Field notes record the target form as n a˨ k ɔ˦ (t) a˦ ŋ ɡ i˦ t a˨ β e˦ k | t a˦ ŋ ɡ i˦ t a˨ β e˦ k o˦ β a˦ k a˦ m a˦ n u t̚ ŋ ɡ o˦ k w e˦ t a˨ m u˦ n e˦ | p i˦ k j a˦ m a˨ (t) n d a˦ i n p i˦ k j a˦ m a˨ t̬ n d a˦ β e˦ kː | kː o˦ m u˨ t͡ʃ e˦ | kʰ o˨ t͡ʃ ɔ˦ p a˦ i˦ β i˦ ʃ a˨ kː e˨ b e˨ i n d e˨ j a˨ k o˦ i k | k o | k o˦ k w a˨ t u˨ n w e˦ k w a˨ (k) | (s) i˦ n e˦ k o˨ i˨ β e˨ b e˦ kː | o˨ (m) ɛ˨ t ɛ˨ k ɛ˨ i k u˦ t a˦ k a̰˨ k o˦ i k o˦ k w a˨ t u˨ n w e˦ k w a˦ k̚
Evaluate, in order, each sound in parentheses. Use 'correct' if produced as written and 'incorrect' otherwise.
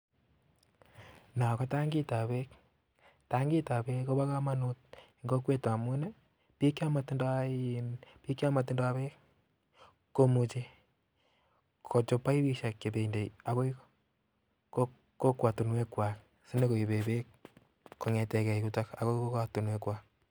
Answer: correct, correct, correct, correct, incorrect

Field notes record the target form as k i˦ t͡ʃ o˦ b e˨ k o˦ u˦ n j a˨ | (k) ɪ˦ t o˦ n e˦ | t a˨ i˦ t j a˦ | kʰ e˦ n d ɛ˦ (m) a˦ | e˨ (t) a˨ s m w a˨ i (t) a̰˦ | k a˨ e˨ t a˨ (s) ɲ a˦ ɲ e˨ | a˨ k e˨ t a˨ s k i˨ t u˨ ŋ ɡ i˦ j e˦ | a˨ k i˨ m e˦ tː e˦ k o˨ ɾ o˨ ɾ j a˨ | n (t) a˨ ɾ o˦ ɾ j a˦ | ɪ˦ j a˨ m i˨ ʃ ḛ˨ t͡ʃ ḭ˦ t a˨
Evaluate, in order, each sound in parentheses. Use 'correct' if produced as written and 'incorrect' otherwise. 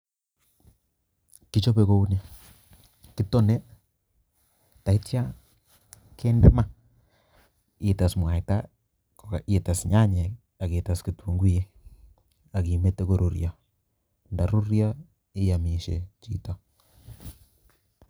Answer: correct, correct, correct, correct, correct, incorrect

